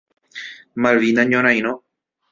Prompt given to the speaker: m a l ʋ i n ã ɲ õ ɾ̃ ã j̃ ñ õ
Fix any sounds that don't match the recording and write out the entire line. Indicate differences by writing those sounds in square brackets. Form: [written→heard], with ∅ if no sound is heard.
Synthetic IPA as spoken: m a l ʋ i n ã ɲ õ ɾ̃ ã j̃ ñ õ